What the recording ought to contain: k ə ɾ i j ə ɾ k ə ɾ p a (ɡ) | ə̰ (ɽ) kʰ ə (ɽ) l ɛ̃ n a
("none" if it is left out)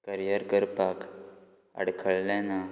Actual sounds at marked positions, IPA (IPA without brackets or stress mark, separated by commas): k, ɽ, ɭ